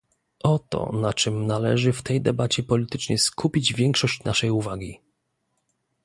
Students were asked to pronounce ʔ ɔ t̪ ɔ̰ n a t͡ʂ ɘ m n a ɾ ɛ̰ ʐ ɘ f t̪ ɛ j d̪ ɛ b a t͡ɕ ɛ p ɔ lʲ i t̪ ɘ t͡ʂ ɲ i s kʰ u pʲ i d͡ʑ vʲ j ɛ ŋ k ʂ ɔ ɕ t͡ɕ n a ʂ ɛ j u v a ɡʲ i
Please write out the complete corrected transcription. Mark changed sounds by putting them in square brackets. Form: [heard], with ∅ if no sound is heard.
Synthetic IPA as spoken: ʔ ɔ t̪ ɔ̰ n a t͡ʂ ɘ m n a [l] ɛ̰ ʐ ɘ f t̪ ɛ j d̪ ɛ b a t͡ɕ ɛ p ɔ lʲ i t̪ ɘ t͡ʂ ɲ [ɛ] s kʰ u pʲ i d͡ʑ vʲ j ɛ ŋ k ʂ ɔ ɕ t͡ɕ n a ʂ ɛ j u v a ɡʲ i